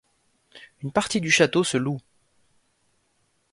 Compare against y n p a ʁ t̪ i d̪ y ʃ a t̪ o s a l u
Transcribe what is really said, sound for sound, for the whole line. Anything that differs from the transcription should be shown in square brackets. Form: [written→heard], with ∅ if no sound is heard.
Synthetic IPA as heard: y n p a ʁ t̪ i d̪ y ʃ a t̪ o s [a→ə] l u